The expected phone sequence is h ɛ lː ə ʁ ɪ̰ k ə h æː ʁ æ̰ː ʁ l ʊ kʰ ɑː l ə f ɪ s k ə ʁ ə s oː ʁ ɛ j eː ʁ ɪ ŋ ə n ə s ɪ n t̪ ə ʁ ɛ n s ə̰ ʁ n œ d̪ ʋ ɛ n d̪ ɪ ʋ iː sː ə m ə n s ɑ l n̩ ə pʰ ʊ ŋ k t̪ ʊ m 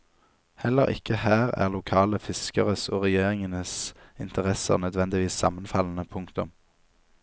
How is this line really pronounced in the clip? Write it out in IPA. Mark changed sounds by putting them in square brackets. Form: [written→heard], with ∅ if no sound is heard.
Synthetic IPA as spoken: h ɛ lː ə ʁ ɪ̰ k ə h æː ʁ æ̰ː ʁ l ʊ kʰ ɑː l ə f ɪ s k ə ʁ ə s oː ʁ ɛ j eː ʁ ɪ ŋ ə n ə s ɪ n t̪ ə ʁ ɛ [n→∅] s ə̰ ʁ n œ d̪ ʋ ɛ n d̪ ɪ ʋ iː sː [ə→ɑ] m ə n [s→f] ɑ l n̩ ə pʰ ʊ ŋ k t̪ ʊ m